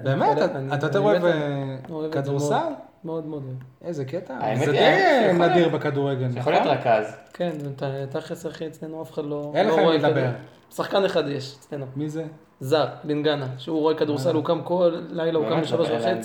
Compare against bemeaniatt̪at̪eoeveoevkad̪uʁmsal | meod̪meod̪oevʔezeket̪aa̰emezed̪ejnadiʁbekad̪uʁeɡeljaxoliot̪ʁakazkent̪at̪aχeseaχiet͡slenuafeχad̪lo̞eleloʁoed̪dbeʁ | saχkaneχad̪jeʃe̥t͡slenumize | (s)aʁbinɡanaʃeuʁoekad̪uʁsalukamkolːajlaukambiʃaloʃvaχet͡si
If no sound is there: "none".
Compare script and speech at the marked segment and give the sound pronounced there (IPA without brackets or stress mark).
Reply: z